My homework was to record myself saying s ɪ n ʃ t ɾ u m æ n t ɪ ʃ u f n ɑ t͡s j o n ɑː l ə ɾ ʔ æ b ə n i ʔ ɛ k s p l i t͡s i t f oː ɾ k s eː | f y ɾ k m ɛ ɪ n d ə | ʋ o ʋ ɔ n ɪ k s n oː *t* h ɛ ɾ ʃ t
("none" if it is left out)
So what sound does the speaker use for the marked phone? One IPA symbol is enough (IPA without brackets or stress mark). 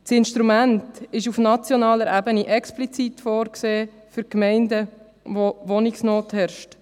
t